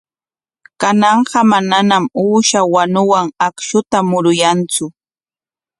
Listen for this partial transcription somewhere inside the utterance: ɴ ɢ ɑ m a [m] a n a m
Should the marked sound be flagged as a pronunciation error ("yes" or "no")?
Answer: yes